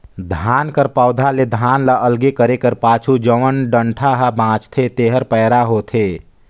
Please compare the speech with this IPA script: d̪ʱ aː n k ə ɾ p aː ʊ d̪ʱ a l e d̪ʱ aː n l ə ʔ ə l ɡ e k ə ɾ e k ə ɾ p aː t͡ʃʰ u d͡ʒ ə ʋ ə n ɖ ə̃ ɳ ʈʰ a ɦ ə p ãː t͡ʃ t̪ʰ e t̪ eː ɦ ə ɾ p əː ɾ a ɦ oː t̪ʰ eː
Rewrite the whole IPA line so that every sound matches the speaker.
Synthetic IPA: d̪ʱ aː n k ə ɾ p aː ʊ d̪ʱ a l e d̪ʱ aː n l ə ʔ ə l ɡ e k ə ɾ e k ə ɾ p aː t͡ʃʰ u d͡ʒ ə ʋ ə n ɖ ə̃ ɳ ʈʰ a ɦ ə b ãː t͡ʃ t̪ʰ e t̪ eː ɦ ə ɾ p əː ɾ a ɦ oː t̪ʰ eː